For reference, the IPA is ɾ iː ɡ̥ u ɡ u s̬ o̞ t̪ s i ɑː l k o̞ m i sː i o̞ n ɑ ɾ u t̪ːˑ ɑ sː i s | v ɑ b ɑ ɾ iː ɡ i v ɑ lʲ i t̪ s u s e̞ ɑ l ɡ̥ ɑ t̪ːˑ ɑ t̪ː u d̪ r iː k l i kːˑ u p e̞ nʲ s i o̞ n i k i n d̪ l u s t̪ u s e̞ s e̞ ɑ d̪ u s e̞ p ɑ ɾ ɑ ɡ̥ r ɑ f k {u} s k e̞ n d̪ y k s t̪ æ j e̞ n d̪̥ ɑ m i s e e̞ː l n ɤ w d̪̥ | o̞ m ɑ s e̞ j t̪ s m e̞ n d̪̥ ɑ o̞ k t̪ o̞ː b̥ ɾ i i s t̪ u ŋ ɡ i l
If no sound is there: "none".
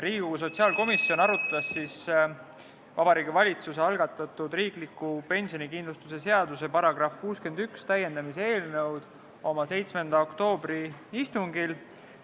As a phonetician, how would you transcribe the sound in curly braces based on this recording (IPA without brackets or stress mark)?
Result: uː